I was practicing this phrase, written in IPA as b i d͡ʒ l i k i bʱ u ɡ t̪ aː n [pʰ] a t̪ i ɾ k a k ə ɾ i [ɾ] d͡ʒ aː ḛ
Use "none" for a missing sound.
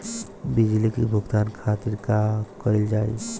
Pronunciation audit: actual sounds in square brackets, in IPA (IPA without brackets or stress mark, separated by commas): kʰ, l